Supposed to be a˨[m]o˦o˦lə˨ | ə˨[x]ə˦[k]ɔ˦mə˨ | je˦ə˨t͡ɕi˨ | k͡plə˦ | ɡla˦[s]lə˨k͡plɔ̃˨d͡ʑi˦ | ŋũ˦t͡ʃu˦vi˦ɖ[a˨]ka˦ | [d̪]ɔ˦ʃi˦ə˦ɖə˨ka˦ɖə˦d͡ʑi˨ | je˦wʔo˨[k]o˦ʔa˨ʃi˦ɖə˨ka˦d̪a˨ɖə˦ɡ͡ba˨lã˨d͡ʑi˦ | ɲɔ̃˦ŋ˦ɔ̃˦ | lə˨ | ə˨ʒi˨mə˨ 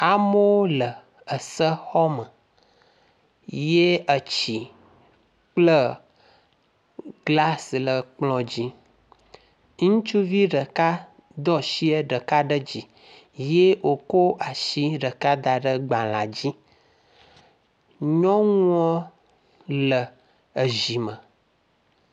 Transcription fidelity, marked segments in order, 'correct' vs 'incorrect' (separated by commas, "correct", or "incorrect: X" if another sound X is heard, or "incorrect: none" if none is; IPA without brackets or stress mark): correct, incorrect: s, incorrect: x, correct, incorrect: ə˨, correct, correct